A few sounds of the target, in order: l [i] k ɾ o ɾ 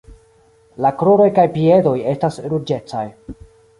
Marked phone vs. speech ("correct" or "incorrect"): incorrect